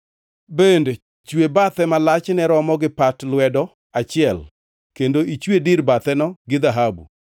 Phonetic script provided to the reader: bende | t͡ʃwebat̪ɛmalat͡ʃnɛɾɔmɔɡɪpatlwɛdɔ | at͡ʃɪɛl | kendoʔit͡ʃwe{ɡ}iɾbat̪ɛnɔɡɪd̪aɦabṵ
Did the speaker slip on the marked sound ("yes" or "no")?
yes